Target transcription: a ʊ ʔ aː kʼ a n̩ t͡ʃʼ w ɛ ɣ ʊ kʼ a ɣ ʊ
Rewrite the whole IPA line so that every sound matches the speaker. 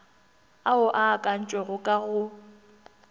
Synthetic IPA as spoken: a ʊ ʔ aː kʼ a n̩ t͡ʃʼ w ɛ ɣ ʊ kʼ a ɣ ʊ